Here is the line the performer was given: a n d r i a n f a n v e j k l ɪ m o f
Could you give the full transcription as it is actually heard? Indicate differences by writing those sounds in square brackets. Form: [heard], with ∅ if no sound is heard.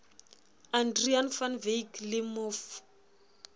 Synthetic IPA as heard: a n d r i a n f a n v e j k l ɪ m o f